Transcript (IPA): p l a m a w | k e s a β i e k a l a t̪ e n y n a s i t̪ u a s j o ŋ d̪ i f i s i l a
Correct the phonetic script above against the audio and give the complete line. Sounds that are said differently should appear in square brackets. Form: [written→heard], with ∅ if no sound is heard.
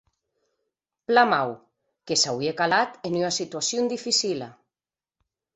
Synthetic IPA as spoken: p l a m a w | k e s a [β→w] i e k a l a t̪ e n y n a s i t̪ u a s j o [ŋ→n] d̪ i f i s i l a